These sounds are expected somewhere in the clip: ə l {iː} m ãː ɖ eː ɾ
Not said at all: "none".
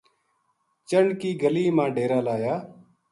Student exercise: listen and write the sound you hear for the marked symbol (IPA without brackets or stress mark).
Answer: iː